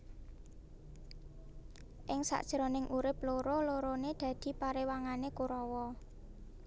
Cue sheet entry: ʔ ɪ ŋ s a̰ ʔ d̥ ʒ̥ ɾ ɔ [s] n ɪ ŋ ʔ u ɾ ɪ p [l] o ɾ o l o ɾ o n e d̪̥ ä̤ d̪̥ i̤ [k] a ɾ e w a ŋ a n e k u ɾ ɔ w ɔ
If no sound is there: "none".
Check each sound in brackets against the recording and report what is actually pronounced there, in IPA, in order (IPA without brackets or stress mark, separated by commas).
none, l, p